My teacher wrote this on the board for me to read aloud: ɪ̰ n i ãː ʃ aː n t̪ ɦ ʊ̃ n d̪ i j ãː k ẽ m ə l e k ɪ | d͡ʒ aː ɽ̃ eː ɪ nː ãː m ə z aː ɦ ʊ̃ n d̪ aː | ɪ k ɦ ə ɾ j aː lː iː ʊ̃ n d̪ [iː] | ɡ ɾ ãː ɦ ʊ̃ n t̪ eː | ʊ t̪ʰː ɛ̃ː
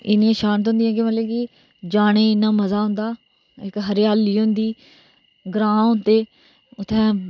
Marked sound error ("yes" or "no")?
no